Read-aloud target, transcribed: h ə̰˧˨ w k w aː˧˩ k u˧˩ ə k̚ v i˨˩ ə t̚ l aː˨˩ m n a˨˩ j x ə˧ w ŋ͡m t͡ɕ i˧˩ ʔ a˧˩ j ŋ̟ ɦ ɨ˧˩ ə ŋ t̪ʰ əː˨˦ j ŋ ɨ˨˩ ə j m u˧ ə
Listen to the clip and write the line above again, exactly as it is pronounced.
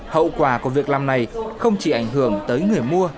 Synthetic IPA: h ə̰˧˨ w k w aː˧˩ k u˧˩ ə v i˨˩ ə k̚ l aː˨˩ m n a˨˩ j x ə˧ w ŋ͡m t͡ɕ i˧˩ ʔ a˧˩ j ŋ̟ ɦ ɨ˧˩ ə ŋ t̪ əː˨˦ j ŋ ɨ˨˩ ə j m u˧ ə